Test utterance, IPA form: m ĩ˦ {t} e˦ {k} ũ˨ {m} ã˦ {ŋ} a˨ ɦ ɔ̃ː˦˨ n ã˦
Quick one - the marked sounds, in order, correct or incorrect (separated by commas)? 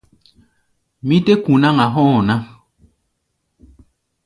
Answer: correct, correct, incorrect, correct